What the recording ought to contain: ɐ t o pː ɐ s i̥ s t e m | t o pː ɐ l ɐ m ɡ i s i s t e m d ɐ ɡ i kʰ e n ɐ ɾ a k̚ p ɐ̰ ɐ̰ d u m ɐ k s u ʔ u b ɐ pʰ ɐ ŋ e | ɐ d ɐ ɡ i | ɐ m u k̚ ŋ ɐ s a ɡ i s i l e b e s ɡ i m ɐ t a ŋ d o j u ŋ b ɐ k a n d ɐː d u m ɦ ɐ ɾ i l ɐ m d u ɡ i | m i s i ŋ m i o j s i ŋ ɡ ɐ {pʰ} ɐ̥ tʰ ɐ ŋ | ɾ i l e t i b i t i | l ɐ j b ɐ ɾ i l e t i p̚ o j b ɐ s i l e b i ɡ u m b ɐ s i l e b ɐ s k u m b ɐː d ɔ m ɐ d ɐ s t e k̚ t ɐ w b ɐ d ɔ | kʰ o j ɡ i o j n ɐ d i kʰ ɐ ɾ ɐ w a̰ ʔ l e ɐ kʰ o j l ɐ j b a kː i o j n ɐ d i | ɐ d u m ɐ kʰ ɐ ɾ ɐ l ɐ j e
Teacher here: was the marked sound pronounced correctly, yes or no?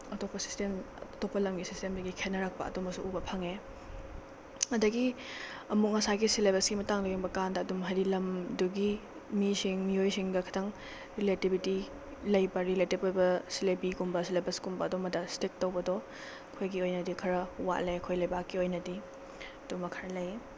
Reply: no